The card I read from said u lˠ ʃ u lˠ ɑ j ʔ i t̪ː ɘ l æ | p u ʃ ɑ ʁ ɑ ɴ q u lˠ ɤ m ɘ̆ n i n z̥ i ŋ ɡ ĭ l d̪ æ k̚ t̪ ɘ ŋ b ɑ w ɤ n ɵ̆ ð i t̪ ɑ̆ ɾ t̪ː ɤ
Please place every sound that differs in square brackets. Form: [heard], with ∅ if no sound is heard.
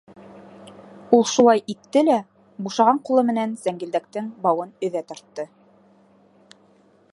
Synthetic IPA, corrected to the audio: u lˠ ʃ u lˠ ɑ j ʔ i t̪ː ɘ l æ | [b] u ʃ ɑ ʁ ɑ ɴ q u lˠ ɤ m ɘ̆ n [æ] n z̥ [æ] ŋ ɡ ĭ l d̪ æ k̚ t̪ ɘ ŋ b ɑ w ɤ n ɵ̆ ð [æ] t̪ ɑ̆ ɾ t̪ː ɤ